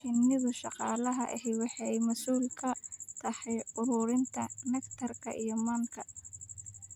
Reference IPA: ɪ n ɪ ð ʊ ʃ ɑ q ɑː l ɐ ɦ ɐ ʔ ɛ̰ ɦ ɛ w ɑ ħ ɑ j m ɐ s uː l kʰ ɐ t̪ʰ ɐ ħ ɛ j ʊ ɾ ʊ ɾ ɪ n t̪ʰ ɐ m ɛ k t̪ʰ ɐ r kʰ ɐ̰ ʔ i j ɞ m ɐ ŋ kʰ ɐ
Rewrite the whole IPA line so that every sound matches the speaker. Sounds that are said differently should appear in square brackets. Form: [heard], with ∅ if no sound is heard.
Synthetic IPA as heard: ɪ n ɪ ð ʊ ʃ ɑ q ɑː l ɐ ɦ ɐ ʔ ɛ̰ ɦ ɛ w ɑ ħ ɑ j m ɐ s uː l kʰ ɐ t̪ʰ ɐ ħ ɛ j ʊ ɾ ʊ ɾ ɪ n t̪ʰ ɐ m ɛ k t̪ʰ ɐ r kʰ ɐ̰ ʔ i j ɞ m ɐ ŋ kʰ ɐ

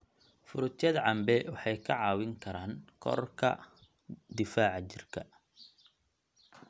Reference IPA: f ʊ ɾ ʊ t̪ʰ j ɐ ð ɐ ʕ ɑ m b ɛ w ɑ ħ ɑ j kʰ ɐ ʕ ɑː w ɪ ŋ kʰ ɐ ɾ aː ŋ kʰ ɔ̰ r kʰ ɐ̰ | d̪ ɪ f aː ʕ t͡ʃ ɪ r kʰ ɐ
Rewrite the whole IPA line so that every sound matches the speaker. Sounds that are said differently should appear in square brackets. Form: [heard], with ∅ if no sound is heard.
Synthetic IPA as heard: f ʊ ɾ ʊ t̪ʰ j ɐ ð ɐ ʕ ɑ m b ɛ w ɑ ħ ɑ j kʰ ɐ ʕ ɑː w ɪ ŋ kʰ ɐ ɾ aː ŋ kʰ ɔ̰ r kʰ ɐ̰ | d̪ ɪ f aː ʕ t͡ʃ ɪ r kʰ ɐ

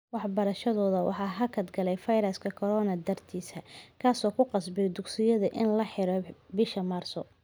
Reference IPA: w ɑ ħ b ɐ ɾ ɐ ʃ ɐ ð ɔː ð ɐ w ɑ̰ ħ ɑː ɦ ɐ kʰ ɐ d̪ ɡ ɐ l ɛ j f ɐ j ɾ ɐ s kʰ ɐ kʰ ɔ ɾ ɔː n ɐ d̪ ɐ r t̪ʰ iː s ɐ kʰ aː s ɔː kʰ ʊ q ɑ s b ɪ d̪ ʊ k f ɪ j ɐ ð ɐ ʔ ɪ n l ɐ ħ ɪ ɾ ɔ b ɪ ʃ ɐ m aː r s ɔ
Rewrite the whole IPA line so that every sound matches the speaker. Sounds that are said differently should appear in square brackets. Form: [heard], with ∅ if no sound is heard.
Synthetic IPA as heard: w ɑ ħ b ɐ ɾ ɐ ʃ ɐ ð ɔː ð ɐ w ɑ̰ ħ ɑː ɦ ɐ kʰ ɐ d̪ ɡ ɐ l ɛ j f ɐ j ɾ ɐ s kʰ ɐ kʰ ɔ ɾ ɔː n ɐ d̪ ɐ r t̪ʰ iː s ɐ kʰ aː s ɔː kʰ ʊ q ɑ s b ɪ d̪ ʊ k [s] ɪ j ɐ ð ɐ ʔ ɪ n l ɐ ħ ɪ ɾ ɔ b ɪ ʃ ɐ m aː r s ɔ

